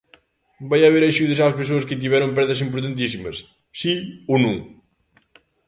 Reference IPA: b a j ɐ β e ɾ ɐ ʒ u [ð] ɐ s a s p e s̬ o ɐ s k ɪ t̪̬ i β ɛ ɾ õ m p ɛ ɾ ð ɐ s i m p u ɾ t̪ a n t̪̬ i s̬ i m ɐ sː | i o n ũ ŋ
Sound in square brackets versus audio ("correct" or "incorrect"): correct